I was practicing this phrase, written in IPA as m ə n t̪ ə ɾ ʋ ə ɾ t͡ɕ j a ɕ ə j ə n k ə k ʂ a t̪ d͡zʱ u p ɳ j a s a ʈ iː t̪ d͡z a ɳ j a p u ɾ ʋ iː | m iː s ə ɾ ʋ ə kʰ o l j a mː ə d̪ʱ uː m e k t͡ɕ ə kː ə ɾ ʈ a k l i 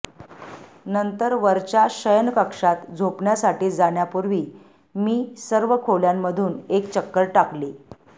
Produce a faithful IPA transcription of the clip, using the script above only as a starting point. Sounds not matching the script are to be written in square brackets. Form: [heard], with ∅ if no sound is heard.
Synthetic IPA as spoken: [n] ə n t̪ ə ɾ ʋ ə ɾ t͡ɕ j a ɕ ə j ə n k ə k ʂ a t̪ d͡zʱ [o] p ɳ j a s a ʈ iː [∅] d͡z a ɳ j a p u ɾ ʋ iː | m iː s ə ɾ ʋ ə kʰ o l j a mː ə d̪ʱ uː [n] e k t͡ɕ ə kː ə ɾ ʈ a k l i